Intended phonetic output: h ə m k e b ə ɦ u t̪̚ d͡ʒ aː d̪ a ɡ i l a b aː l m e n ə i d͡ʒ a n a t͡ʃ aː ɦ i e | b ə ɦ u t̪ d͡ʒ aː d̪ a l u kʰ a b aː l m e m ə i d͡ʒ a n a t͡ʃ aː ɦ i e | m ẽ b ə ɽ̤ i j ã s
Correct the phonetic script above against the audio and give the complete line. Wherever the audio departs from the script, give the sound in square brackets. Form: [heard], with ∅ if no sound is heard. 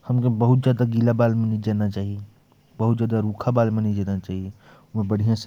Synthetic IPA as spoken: h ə m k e b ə ɦ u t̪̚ d͡ʒ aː d̪ a ɡ i l a b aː l m e n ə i d͡ʒ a n a t͡ʃ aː ɦ i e | b ə ɦ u t̪ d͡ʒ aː d̪ a [ɾ] u kʰ a b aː l m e [n] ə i d͡ʒ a n a t͡ʃ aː ɦ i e | m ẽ b ə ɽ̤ i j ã s